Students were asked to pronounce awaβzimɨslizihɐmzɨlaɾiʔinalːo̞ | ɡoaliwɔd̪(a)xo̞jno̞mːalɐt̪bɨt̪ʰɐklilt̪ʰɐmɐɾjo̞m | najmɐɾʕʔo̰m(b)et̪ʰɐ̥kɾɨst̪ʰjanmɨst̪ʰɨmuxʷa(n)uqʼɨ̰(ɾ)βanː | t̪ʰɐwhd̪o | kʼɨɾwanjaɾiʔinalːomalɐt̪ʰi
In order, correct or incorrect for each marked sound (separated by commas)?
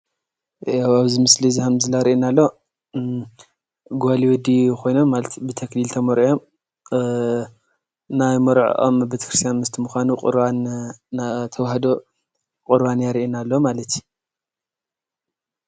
incorrect, correct, correct, correct